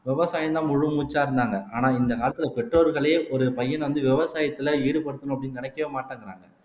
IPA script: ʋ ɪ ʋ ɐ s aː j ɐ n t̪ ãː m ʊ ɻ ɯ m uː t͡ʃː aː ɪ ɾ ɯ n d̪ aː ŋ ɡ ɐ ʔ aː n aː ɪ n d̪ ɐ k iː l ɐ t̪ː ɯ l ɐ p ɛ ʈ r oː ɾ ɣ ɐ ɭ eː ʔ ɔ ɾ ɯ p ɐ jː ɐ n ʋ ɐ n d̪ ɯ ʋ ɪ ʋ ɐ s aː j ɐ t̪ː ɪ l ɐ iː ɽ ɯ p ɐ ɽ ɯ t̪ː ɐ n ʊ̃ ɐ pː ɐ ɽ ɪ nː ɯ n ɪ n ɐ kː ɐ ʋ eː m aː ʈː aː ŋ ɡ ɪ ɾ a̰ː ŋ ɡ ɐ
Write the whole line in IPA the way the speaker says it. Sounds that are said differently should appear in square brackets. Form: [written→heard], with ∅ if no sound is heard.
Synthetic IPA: ʋ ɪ ʋ ɐ s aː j ɐ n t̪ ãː m ʊ ɻ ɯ m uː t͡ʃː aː ɪ ɾ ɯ n d̪ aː ŋ ɡ ɐ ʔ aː n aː ɪ n d̪ ɐ k [iː→aː] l ɐ t̪ː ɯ l ɐ p ɛ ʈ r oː ɾ ɣ ɐ ɭ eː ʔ ɔ ɾ ɯ p ɐ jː ɐ n ʋ ɐ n d̪ ɯ ʋ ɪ ʋ ɐ s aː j ɐ t̪ː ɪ l ɐ iː ɽ ɯ p ɐ ɽ ɯ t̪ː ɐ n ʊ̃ ɐ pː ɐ ɽ ɪ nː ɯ n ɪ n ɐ kː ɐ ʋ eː m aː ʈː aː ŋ ɡ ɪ ɾ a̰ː ŋ ɡ ɐ

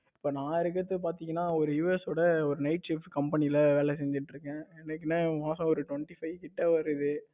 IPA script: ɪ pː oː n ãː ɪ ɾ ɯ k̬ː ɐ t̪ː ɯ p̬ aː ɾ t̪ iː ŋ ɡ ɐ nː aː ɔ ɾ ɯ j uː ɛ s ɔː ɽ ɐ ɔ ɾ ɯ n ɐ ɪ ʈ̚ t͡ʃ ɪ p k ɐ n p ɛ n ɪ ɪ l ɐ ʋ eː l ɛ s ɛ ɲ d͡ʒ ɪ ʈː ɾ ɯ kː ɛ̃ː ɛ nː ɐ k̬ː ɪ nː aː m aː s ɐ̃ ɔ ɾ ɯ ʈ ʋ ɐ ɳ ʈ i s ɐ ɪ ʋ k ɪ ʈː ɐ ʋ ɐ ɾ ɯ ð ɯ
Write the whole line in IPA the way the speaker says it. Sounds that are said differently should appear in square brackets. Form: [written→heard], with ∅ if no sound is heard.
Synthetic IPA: ɪ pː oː n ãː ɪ ɾ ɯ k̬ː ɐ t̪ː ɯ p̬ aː ɾ t̪ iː ŋ ɡ ɐ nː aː ɔ ɾ ɯ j uː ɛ s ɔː ɽ ɐ ɔ ɾ ɯ n ɐ ɪ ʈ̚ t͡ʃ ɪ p k ɐ [n→m] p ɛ n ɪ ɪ l ɐ ʋ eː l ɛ s ɛ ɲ d͡ʒ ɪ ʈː ɾ ɯ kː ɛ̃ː ɛ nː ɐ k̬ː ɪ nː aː m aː s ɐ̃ ɔ ɾ ɯ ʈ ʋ ɐ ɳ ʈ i [s→f] ɐ ɪ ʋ k ɪ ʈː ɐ ʋ ɐ ɾ ɯ ð ɯ

